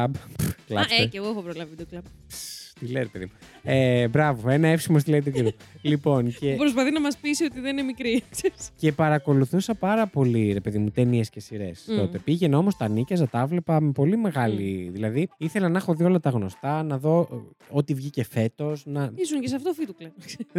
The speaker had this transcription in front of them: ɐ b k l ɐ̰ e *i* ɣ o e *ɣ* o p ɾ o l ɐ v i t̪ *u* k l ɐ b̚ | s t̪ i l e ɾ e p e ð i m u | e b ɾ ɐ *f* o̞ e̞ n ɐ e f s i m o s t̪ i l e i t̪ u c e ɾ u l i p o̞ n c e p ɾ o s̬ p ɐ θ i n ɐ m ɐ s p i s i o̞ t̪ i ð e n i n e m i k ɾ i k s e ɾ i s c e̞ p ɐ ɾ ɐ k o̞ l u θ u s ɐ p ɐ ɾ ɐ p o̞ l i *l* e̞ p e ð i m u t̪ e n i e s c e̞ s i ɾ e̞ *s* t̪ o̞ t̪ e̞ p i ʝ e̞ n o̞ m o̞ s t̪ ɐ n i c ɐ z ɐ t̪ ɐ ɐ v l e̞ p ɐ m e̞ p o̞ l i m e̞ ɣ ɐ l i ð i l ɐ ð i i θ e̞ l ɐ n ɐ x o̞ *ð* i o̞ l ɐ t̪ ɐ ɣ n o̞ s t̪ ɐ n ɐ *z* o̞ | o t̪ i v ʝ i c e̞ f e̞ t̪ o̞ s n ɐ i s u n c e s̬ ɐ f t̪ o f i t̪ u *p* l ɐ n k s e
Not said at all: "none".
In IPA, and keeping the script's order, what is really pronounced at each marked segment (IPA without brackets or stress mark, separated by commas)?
e, x, o, v, ɾ, s, ð, ð, k